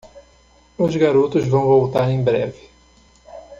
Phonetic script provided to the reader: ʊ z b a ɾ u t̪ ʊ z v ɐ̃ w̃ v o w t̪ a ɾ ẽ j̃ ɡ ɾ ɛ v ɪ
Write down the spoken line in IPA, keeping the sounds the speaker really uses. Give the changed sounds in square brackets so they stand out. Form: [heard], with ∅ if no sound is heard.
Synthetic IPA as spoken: ʊ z [ɡ] a ɾ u t̪ ʊ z v ɐ̃ w̃ v o w t̪ a ɾ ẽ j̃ [b] ɾ ɛ v ɪ